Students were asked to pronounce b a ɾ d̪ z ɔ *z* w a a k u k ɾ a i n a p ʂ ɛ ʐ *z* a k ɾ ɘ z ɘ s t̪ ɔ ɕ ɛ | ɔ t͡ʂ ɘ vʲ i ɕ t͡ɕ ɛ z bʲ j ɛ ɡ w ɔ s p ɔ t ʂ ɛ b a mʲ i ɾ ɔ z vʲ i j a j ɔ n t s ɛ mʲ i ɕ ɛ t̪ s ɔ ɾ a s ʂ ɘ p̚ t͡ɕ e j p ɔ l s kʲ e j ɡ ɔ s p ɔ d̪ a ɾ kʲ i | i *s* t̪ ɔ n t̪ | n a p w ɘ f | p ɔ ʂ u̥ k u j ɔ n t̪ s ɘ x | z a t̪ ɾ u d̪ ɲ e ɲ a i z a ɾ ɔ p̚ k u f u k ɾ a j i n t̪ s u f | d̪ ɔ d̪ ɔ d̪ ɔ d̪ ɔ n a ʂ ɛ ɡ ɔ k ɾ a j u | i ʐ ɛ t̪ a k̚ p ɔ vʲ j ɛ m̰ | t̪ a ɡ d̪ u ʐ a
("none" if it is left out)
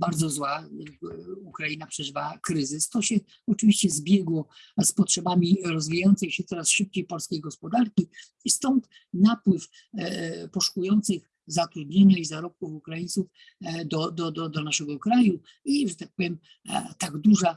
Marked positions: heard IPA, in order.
z, v, s

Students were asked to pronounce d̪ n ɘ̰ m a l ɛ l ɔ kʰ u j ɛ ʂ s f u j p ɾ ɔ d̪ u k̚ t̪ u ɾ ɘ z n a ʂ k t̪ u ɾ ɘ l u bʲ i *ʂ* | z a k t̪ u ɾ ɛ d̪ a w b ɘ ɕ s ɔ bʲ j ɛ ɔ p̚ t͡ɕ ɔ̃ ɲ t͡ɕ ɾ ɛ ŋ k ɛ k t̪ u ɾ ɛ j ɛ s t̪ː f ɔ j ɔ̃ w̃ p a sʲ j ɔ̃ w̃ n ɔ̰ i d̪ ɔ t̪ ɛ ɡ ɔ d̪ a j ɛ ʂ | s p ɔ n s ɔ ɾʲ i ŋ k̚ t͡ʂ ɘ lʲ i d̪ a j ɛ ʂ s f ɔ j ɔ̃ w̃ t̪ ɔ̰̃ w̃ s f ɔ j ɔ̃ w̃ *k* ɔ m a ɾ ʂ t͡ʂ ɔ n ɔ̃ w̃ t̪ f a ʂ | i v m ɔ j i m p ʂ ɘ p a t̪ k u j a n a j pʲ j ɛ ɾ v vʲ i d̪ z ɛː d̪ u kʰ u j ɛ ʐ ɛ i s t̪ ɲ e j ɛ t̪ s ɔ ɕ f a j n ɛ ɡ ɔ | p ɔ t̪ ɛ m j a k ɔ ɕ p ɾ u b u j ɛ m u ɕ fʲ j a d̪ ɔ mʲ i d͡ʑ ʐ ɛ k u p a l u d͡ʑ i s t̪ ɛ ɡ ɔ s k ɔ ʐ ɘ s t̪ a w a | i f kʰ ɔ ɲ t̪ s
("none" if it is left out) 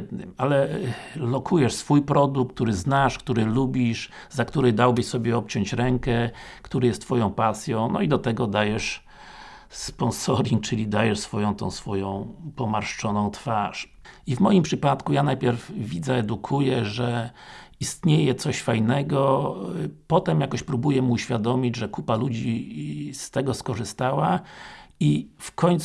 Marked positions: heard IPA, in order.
ʂ, p

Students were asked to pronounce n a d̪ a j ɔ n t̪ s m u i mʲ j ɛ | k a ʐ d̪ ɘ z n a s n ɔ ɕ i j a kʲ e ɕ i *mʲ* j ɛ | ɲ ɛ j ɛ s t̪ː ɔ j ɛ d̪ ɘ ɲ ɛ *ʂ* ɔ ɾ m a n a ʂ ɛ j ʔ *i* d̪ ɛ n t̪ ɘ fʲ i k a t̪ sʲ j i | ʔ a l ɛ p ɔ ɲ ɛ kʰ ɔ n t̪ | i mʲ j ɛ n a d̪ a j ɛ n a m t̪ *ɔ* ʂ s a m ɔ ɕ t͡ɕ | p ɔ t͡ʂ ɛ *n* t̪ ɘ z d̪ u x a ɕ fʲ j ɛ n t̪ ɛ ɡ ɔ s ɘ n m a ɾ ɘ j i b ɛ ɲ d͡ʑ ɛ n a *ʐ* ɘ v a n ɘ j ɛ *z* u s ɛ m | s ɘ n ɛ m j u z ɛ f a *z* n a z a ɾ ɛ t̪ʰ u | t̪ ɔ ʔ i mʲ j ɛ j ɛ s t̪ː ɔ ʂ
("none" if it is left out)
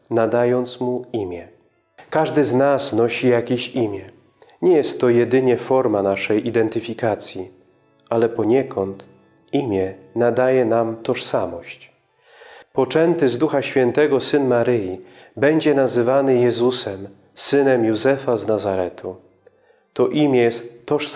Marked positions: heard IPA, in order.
mʲ, f, i, ɔ, n, z, z, z

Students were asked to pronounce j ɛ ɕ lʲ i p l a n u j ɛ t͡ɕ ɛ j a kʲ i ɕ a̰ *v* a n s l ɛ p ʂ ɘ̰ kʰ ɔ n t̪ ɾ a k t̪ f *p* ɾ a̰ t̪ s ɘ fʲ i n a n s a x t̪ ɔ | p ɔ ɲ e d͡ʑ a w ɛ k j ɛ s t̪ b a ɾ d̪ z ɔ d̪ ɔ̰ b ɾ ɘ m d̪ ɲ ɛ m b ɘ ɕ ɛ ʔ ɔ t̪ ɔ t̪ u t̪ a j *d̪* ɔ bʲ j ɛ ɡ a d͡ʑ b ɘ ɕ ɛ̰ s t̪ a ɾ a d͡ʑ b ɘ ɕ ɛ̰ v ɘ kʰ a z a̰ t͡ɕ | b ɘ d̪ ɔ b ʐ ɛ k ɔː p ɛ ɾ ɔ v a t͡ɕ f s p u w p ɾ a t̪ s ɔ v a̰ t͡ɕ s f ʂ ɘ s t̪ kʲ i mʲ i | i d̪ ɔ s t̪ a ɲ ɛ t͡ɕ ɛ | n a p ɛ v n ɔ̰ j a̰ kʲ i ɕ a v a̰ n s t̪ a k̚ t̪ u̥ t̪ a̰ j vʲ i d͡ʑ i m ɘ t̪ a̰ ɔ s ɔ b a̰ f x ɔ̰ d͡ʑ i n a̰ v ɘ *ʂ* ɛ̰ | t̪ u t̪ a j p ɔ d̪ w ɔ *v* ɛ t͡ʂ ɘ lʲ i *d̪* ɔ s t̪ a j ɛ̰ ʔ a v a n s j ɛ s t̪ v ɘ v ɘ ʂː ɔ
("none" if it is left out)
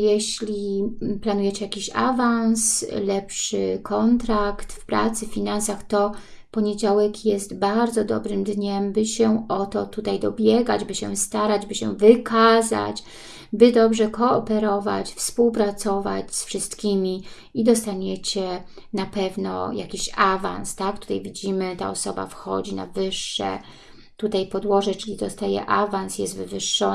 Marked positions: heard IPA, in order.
v, p, d̪, ʂː, ʐ, d̪

